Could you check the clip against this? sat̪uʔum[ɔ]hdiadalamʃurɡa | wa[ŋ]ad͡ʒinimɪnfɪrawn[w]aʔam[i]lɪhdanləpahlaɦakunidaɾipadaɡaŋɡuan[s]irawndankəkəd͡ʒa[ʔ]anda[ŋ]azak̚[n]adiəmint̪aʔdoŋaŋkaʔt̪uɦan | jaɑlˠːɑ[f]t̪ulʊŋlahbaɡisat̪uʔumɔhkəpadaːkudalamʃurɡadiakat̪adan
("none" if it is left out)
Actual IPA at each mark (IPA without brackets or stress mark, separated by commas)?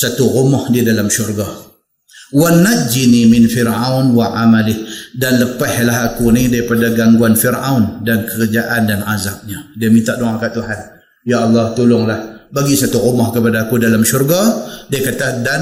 ɔ, n, w, a, f, ʔ, n, ɲ, h